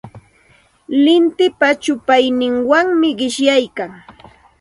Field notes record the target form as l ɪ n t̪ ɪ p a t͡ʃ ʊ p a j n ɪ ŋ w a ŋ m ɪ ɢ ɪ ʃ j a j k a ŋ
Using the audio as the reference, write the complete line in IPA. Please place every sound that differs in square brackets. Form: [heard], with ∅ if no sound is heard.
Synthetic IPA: l ɪ n t̪ ɪ p a t͡ʃ ʊ p a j n ɪ ŋ w a ŋ m ɪ ɢ ɪ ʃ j a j k a ŋ